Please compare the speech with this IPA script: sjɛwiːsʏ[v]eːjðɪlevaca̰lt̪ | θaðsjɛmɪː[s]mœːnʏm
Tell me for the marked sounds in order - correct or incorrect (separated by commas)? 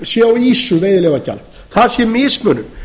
correct, correct